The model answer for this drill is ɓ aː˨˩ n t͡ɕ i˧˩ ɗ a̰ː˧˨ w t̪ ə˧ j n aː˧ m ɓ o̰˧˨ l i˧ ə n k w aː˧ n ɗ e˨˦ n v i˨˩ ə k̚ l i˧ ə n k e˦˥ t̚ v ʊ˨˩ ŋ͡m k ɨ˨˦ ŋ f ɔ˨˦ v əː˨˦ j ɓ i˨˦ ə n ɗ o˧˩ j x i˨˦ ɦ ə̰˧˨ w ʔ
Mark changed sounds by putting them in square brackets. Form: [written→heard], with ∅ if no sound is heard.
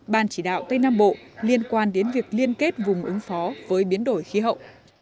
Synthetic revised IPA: ɓ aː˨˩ n t͡ɕ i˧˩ ɗ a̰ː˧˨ w t̪ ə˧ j n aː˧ m ɓ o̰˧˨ l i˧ ə n k w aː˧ n ɗ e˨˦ n v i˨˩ ə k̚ l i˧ ə n k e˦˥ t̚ v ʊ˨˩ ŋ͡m [k→ʔ] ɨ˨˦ ŋ f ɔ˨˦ v əː˨˦ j ɓ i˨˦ ə n ɗ o˧˩ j x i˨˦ ɦ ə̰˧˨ w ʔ